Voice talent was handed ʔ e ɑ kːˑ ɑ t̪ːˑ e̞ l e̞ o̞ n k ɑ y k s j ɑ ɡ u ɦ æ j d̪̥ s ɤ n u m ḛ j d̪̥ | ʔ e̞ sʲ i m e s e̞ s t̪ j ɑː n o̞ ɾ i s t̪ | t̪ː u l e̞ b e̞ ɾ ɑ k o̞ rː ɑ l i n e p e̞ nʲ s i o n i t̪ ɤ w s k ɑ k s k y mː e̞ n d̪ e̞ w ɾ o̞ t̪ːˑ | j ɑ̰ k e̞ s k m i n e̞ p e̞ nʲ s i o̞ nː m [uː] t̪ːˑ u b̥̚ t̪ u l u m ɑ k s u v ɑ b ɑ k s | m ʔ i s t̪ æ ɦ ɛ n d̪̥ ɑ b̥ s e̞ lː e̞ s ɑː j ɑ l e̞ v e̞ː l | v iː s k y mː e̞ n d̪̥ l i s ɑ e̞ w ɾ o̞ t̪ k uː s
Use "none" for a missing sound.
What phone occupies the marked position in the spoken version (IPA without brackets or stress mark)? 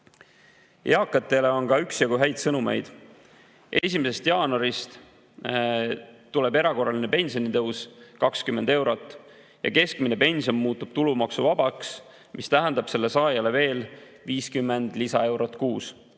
uː